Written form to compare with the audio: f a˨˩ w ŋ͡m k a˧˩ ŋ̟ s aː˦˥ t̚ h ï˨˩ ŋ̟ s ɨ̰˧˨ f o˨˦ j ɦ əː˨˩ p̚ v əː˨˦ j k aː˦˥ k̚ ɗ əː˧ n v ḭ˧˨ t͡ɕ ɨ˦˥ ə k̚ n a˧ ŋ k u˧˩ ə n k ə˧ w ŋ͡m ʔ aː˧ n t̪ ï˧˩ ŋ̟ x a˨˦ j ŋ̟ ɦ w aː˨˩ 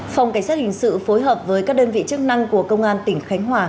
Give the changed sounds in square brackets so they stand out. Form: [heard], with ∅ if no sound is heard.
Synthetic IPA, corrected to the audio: f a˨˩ w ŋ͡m k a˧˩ ŋ̟ s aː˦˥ t̚ h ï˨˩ ŋ̟ s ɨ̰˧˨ f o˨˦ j ɦ əː˨˩ p̚ v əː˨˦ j k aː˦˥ k̚ ɗ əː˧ n v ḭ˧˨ t͡ɕ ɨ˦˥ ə k̚ n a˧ ŋ k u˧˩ ə [∅] k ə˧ w ŋ͡m ʔ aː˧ n t̪ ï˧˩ ŋ̟ x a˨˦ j ŋ̟ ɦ w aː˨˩